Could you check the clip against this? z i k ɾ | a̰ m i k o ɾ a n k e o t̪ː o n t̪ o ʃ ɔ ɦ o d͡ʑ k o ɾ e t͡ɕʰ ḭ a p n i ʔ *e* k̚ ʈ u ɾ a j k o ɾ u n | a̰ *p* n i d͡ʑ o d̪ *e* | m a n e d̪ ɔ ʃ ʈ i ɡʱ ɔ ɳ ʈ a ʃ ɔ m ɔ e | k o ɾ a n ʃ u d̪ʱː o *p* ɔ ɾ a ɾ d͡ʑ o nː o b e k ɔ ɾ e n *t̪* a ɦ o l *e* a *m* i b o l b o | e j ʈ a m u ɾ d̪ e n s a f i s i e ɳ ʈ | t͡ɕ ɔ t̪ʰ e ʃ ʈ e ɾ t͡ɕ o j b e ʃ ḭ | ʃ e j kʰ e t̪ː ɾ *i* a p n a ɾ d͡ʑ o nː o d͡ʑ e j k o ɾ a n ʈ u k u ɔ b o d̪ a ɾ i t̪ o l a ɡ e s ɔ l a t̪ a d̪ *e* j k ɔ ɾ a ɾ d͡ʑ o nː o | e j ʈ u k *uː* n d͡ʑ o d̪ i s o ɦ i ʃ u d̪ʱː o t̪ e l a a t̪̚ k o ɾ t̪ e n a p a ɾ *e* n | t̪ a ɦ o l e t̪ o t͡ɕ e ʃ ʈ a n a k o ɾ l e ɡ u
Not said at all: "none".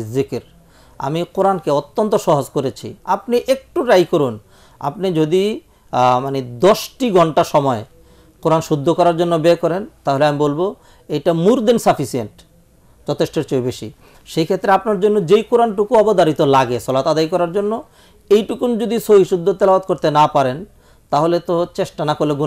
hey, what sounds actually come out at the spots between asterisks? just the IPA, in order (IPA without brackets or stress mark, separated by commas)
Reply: e, p, i, k, t̪, e, m, e, a, u, e